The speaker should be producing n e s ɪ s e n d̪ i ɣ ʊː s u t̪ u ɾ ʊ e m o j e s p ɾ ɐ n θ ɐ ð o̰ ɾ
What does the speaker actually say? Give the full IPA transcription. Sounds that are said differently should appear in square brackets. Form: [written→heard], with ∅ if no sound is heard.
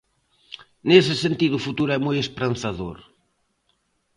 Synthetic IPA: n e s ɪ s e n [d̪→t̪] i [ɣ→ð] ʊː [s→f] u t̪ u ɾ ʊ [e→ɛ] m o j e s p ɾ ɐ n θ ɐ ð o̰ ɾ